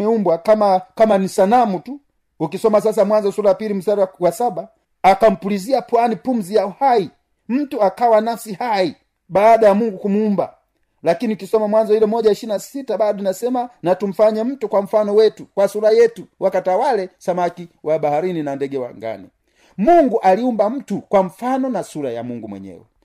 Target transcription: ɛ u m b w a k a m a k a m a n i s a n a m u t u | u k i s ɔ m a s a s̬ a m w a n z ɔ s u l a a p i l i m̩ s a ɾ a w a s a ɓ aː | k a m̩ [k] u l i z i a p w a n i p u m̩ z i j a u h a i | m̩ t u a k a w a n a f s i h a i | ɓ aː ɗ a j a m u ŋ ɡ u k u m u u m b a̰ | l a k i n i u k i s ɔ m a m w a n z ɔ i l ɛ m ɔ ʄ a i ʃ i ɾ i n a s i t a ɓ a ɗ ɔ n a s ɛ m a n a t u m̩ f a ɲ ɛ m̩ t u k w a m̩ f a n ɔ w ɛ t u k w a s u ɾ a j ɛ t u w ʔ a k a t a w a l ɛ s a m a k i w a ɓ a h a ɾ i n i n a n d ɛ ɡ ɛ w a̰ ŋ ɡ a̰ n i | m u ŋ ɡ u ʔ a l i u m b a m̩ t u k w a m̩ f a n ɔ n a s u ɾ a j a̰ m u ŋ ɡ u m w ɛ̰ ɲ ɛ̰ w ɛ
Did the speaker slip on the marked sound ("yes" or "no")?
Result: yes